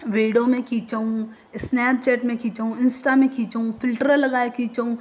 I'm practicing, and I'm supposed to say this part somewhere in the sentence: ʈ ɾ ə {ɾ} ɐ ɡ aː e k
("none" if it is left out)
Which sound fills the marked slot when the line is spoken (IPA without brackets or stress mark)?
l